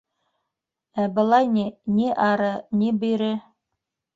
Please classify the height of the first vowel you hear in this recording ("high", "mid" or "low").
low